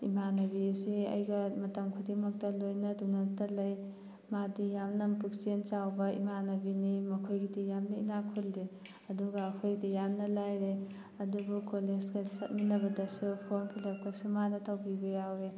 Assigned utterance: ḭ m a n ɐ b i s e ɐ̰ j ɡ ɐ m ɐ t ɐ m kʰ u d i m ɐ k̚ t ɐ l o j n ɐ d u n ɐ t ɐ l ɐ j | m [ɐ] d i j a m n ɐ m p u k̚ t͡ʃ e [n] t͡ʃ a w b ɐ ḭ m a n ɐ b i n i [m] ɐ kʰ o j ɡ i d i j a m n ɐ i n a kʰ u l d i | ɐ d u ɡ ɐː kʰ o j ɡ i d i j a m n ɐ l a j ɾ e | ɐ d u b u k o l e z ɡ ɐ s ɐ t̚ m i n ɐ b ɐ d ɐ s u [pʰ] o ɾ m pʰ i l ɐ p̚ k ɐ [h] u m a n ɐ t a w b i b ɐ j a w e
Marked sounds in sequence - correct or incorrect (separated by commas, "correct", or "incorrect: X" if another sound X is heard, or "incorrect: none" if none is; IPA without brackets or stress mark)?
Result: incorrect: a, correct, correct, correct, incorrect: s